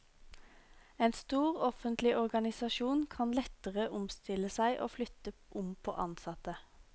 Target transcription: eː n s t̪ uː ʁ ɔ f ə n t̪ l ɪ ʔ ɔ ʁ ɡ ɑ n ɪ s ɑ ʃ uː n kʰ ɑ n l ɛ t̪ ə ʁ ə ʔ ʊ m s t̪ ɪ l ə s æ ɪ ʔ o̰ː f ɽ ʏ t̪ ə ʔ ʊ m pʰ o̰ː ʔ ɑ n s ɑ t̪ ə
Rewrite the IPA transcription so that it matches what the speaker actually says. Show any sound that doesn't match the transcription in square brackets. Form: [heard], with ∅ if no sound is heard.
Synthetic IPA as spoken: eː n s t̪ uː ʁ ɔ f ə n t̪ l ɪ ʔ ɔ ʁ ɡ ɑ n ɪ s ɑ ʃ uː n kʰ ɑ n l ɛ t̪ ə ʁ ə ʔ ʊ m s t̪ ɪ l ə s æ ɪ ʔ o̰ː f [l] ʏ t̪ ə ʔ ʊ m pʰ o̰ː ʔ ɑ n s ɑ t̪ ə